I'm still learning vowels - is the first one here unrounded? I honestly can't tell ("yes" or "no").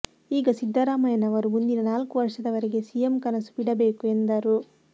yes